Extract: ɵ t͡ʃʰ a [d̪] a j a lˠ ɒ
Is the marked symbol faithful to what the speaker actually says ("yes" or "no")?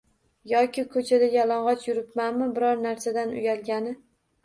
yes